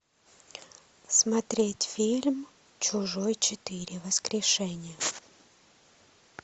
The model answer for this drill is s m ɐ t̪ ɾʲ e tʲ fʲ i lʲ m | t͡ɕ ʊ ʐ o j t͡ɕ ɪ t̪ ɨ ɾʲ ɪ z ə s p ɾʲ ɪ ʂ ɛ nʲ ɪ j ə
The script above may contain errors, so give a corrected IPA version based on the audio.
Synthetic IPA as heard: s m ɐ t̪ ɾʲ e tʲ fʲ i lʲ m | t͡ɕ ʊ ʐ o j t͡ɕ ɪ t̪ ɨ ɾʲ ɪ v ə s k ɾʲ ɪ ʂ ɛ nʲ ɪ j ə